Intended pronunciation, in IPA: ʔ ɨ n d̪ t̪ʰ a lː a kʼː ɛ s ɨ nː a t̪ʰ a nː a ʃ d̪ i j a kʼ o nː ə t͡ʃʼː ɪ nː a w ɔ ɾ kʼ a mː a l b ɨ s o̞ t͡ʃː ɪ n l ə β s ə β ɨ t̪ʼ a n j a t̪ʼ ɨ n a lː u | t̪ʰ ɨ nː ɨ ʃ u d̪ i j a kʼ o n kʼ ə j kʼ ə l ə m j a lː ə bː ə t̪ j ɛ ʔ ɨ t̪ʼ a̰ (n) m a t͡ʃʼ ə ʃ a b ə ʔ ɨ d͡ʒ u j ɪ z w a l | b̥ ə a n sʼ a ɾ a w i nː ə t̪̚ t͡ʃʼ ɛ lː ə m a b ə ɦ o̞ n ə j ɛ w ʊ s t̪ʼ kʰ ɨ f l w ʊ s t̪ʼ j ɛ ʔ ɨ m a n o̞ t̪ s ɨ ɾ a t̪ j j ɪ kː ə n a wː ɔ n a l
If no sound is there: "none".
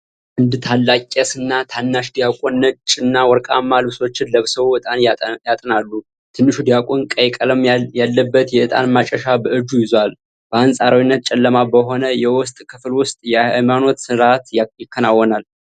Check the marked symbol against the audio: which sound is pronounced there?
n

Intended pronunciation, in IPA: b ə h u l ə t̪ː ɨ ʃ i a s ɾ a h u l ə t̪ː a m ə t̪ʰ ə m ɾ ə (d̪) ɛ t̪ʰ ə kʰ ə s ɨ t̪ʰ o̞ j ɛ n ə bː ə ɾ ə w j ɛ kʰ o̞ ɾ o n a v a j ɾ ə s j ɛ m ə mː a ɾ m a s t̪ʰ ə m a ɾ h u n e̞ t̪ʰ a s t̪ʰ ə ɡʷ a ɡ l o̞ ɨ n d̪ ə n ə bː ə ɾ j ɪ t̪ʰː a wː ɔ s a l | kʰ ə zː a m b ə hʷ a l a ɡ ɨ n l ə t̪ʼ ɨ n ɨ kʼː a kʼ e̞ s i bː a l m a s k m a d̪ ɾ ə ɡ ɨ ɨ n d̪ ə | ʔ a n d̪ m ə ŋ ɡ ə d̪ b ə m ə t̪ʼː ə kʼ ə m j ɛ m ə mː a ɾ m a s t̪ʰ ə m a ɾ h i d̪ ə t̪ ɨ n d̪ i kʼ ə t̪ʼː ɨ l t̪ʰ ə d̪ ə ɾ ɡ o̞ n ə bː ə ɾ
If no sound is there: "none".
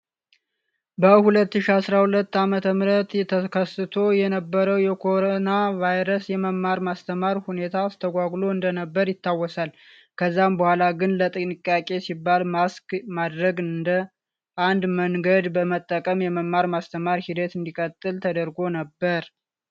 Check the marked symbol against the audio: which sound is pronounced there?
t̪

